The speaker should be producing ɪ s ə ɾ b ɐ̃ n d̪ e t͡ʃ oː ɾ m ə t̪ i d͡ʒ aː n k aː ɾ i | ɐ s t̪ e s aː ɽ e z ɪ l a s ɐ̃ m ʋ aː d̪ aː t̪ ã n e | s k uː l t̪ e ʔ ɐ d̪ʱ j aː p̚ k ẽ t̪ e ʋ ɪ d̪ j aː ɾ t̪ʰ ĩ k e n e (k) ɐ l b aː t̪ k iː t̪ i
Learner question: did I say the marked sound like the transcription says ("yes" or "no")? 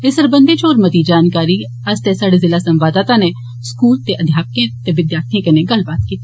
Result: no